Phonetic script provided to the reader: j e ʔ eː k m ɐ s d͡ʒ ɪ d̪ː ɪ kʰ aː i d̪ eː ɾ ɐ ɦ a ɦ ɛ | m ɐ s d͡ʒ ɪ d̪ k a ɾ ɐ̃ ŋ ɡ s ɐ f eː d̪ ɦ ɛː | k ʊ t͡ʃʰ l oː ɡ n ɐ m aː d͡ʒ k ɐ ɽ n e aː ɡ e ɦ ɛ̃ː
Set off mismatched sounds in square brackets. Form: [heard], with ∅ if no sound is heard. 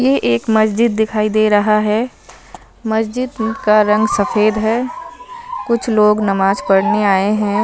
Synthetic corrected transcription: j e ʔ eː k m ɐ s d͡ʒ ɪ d̪ː ɪ kʰ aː i d̪ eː ɾ ɐ ɦ a ɦ ɛ | m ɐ s d͡ʒ ɪ d̪ k a ɾ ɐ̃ ŋ ɡ s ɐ f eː d̪ ɦ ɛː | k ʊ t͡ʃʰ l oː ɡ n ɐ m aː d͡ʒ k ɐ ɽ n e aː [∅] e ɦ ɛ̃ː